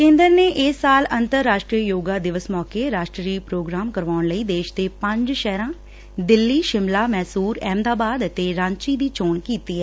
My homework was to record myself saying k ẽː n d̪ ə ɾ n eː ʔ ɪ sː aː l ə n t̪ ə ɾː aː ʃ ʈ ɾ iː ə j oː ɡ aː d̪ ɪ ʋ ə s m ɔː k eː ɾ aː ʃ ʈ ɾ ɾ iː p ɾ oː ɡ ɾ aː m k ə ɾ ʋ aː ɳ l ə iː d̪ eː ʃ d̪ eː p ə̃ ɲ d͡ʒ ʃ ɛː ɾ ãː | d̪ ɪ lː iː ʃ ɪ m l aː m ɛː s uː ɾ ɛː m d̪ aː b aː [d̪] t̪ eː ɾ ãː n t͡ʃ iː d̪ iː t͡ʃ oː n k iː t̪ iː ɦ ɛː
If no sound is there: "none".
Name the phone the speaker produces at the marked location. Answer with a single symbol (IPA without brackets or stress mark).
d̪